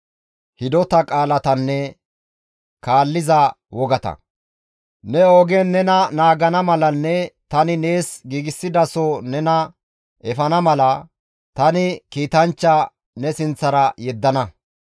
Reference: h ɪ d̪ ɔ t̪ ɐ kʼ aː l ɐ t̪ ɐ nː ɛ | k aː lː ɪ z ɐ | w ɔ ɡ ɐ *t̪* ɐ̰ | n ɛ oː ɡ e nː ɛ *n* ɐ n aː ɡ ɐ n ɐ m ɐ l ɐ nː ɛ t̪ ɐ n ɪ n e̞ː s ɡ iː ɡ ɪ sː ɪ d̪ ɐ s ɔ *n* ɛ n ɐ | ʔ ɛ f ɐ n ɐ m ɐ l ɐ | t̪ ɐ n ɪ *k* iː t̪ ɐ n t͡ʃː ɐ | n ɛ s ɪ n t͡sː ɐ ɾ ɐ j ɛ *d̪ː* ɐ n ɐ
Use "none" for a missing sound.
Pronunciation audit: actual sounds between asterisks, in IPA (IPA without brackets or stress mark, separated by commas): t̪, n, n, k, d̪ː